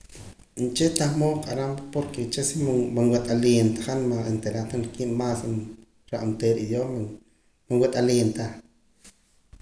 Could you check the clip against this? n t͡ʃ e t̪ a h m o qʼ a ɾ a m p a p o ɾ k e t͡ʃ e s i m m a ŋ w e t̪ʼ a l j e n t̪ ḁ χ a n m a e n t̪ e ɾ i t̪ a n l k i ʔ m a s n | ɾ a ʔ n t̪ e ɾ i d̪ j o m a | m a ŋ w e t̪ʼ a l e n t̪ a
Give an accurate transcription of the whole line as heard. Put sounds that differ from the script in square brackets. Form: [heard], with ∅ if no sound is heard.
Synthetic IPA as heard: n t͡ʃ e t̪ a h m o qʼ a ɾ a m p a p o ɾ k e t͡ʃ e s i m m a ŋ w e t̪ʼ a l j e n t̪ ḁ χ a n m a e n t̪ e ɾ [a] t̪ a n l k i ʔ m a s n | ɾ a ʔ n t̪ e ɾ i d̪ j o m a | m a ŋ w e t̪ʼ a l e n t̪ a